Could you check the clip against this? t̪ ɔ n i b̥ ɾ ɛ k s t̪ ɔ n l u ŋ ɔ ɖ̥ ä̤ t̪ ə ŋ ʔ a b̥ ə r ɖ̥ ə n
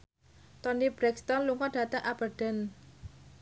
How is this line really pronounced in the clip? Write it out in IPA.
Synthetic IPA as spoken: t̪ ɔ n i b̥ ɾ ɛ k s t̪ ɔ n l u ŋ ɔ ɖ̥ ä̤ t̪ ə ŋ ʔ a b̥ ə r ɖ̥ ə n